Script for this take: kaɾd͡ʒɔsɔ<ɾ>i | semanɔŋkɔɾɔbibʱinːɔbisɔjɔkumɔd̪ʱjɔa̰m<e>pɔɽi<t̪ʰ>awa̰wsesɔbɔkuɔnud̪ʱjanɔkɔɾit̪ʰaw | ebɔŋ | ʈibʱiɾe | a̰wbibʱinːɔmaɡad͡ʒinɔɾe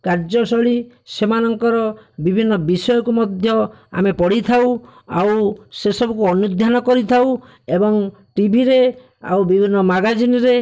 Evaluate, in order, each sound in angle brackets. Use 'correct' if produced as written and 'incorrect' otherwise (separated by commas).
incorrect, correct, correct